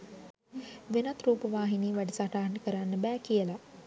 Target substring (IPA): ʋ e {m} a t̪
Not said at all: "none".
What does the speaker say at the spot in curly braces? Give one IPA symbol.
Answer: n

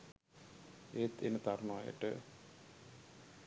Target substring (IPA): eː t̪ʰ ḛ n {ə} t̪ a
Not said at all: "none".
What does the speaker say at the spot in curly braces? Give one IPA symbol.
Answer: ə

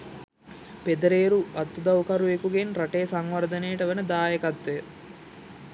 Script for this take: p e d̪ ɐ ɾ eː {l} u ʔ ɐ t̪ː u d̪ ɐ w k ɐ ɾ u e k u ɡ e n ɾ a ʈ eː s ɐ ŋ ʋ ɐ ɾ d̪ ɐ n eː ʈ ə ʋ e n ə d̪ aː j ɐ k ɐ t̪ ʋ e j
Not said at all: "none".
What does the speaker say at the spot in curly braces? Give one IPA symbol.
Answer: ɾ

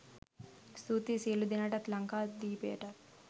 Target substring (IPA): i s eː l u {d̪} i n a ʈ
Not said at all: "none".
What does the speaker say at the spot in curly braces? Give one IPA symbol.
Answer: d̪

